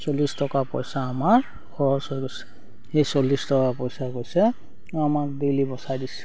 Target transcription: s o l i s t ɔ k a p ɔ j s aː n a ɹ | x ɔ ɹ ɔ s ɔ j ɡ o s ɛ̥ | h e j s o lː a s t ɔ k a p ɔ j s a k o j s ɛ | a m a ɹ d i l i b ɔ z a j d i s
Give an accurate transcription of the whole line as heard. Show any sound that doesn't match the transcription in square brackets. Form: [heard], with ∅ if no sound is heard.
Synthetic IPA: s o l i s t ɔ k a p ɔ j s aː [m] a ɹ | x ɔ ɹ ɔ s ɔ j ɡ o s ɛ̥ | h e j s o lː [i] s t ɔ k a p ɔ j s a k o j s ɛ | a m a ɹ d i l i b ɔ [s] a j d i s